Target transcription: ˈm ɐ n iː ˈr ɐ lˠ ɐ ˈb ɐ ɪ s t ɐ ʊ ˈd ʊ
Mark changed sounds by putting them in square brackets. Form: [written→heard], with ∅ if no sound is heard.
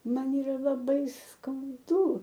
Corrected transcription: ˈm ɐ n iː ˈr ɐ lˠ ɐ ˈb ɐ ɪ s [t→k] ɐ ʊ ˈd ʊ